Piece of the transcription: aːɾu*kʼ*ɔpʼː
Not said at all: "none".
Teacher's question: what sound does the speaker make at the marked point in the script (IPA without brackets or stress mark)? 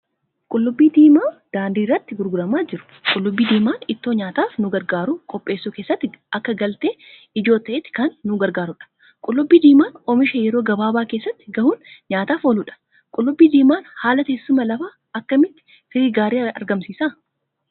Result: kʼ